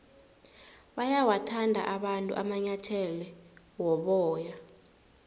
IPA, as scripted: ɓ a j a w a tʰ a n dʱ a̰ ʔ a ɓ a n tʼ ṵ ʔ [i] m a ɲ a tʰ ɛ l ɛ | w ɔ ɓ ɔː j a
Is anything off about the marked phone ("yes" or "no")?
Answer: yes